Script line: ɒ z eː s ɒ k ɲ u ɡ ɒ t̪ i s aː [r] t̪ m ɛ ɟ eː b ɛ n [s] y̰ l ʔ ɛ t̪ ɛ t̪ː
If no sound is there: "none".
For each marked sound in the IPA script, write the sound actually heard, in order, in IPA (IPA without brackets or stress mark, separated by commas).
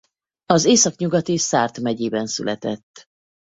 r, s